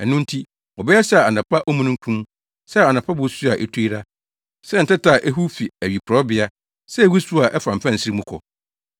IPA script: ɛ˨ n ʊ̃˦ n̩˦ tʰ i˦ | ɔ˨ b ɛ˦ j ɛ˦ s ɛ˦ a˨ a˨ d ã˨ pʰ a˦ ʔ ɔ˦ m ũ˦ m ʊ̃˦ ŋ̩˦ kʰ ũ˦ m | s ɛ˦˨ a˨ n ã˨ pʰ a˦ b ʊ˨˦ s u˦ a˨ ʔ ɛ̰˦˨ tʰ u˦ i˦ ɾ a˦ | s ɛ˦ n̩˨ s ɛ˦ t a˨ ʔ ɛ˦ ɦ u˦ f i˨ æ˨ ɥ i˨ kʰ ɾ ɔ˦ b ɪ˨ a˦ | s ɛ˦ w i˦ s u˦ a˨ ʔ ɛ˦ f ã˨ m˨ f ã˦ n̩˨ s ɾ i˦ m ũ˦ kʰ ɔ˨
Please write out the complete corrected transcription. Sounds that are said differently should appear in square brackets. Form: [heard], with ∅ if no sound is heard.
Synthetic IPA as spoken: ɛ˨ n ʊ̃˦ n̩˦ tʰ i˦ | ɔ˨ b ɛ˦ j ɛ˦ s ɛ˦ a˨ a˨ [n] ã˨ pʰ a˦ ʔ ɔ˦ m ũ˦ [n] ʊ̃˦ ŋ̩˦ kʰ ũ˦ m | s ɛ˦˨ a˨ n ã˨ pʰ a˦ b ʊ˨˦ s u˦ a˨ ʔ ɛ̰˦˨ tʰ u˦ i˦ ɾ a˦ | s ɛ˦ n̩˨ [t] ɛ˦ t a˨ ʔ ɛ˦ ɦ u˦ f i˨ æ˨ ɥ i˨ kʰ ɾ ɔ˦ b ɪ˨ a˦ | s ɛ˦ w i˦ s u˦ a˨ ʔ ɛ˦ f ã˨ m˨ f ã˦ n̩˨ s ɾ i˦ m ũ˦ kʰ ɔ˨